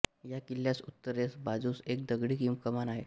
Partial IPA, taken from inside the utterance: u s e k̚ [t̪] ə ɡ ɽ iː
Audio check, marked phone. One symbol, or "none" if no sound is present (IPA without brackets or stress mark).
d̪